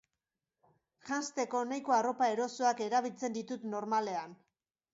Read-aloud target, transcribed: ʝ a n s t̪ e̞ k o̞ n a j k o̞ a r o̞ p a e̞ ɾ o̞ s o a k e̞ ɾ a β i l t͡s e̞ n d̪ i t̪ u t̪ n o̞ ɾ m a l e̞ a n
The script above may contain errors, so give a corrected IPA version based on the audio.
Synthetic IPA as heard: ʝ a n s t̪ e̞ k o̞ n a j k o̞ a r o̞ p a e̞ ɾ o̞ s o a k e̞ ɾ a β i l t͡s e̞ n d̪ i t̪ u t̪ n o̞ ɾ m a l e̞ a n